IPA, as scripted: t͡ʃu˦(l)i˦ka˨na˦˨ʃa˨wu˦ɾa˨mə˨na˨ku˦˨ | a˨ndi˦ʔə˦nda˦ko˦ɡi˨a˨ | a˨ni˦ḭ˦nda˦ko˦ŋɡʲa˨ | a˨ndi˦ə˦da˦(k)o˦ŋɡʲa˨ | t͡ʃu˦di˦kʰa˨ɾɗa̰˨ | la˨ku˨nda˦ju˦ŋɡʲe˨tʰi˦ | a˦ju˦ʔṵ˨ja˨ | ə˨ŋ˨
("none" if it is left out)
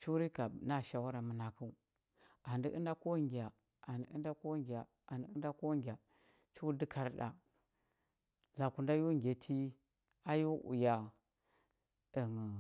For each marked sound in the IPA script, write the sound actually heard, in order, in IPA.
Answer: ɾ, k

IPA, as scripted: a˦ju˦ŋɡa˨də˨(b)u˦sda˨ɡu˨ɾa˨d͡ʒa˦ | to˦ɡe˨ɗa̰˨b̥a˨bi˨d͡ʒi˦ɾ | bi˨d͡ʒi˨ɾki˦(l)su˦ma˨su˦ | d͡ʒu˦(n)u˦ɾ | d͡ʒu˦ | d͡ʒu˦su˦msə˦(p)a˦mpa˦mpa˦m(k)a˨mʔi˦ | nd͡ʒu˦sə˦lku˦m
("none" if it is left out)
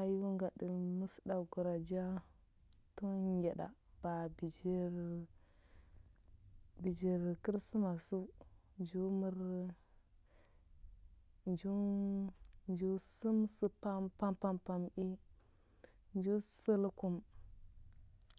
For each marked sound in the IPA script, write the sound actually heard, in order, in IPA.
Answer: m, ɾ, m, p, p

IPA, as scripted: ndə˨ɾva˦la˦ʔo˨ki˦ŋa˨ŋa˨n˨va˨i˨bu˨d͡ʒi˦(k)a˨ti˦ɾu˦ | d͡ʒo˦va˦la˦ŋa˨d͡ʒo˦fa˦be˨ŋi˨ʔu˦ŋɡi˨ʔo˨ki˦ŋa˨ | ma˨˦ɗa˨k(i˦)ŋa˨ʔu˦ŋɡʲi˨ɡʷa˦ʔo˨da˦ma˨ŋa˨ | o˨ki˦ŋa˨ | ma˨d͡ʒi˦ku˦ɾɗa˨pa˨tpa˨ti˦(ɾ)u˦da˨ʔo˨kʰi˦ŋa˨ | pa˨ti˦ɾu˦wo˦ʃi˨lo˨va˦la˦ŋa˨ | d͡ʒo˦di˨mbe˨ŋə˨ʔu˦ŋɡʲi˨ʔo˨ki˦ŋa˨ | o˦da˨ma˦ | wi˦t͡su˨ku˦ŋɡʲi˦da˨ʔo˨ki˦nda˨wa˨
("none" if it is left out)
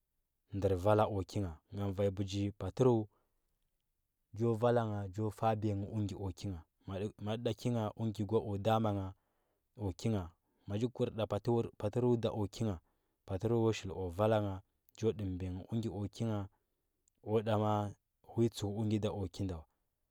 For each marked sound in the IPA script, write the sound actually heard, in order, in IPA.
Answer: p, i˦, ɾ

